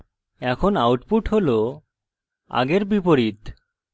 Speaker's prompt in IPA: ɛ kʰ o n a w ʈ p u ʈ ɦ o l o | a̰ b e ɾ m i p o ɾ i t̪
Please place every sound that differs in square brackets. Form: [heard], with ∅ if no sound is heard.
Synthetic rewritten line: ɛ kʰ o n a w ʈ p u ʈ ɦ o l o | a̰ [ɡ] e ɾ [b] i p o ɾ i t̪